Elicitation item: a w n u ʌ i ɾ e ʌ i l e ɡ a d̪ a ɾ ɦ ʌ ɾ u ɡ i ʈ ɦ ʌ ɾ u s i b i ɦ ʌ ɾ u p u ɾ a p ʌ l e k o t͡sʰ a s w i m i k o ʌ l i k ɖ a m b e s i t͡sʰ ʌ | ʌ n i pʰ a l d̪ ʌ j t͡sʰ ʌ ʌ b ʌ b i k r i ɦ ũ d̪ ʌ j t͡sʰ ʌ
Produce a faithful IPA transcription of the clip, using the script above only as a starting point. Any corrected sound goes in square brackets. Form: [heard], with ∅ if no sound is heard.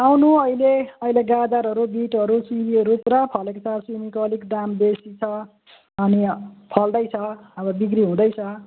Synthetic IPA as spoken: a w n u ʌ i [l] e ʌ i l e ɡ a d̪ a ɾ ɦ ʌ ɾ u [b] i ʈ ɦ ʌ ɾ u s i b i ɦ ʌ ɾ u p u ɾ a [pʰ] ʌ l e k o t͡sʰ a s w i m i k o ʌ l i k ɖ a m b e s i t͡sʰ ʌ | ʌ n i pʰ [ʌ] l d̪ ʌ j t͡sʰ ʌ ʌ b ʌ b i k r i ɦ ũ d̪ ʌ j t͡sʰ ʌ